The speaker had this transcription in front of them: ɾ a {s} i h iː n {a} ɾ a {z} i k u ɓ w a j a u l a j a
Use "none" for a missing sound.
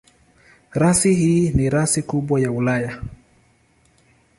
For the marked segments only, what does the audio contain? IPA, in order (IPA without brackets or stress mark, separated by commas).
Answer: s, i, s